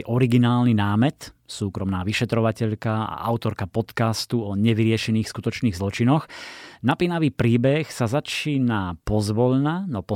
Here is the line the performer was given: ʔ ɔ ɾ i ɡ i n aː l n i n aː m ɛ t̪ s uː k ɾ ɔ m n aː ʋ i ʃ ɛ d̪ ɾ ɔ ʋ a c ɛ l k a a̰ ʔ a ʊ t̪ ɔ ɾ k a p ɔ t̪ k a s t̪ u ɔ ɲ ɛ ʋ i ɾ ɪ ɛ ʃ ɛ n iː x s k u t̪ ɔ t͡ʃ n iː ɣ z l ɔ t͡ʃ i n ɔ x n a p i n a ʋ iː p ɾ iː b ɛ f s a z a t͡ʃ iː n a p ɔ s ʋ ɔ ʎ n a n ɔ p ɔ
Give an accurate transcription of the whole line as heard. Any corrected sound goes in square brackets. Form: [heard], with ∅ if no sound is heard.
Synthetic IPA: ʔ ɔ ɾ i ɡ i n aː l n i n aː m ɛ t̪ s uː k ɾ ɔ m n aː ʋ i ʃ ɛ [t̪] ɾ ɔ ʋ a c ɛ [ʎ] k a a̰ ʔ a ʊ t̪ ɔ ɾ k a p ɔ t̪ k a s t̪ u ɔ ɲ ɛ ʋ i ɾ ɪ ɛ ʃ ɛ n iː x s k u t̪ ɔ t͡ʃ n iː ɣ z l ɔ t͡ʃ i n ɔ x n a p i n a ʋ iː p ɾ iː b ɛ [x] s a z a t͡ʃ iː n a p ɔ [z] ʋ ɔ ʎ n a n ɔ p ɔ